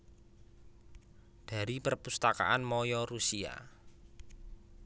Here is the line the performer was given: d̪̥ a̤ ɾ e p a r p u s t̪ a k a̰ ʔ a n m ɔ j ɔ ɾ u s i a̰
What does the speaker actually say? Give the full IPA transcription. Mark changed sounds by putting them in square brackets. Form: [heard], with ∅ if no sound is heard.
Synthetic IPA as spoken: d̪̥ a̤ ɾ [i] p [ə] r p u s t̪ a k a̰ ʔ a n m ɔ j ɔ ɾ u s i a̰

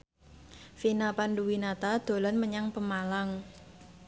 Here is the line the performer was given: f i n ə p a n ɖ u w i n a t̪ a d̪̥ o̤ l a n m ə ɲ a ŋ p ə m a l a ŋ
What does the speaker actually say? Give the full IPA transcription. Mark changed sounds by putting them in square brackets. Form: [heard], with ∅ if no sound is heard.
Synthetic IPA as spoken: f i n [a] p a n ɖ u w i n a t̪ a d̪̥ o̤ l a n m ə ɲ a ŋ p ə m a l a ŋ

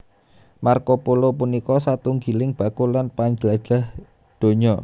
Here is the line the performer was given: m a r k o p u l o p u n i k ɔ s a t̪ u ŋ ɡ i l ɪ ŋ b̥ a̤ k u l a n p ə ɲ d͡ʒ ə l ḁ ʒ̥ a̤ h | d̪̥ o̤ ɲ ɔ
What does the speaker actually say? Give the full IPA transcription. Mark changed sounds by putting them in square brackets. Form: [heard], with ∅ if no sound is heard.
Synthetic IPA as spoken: m a r k o p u l o p u n i k ɔ s a t̪ u ŋ ɡ i l ɪ ŋ b̥ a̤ k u l a n p [a] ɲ d͡ʒ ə l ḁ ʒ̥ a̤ h | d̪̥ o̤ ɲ ɔ

